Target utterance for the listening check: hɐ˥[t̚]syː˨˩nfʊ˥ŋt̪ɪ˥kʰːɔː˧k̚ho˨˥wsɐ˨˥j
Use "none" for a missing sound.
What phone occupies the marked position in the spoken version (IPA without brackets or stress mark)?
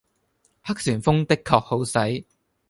k̚